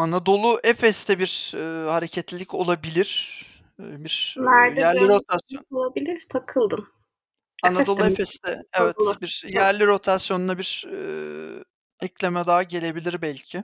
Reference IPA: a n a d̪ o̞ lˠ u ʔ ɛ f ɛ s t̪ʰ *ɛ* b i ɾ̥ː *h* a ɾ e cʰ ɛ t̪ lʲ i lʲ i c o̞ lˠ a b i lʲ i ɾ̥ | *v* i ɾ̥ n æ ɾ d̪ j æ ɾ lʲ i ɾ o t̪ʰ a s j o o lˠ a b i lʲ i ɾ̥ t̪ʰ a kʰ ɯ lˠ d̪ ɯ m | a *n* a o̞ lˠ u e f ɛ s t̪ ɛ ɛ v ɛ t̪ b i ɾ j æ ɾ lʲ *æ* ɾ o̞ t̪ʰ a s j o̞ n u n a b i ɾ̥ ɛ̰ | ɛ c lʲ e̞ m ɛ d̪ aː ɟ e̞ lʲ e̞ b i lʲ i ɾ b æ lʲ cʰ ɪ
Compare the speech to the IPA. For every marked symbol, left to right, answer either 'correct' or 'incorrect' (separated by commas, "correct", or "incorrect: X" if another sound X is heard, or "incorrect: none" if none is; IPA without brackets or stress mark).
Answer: correct, correct, incorrect: b, correct, incorrect: i